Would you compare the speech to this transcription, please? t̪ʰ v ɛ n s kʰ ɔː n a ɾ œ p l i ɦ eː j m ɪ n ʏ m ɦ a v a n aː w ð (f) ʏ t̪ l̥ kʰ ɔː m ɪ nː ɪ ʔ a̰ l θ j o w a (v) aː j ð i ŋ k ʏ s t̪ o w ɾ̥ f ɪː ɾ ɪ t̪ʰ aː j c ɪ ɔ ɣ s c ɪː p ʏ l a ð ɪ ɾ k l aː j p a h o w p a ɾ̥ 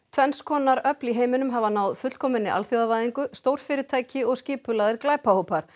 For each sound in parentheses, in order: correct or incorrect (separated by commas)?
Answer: correct, correct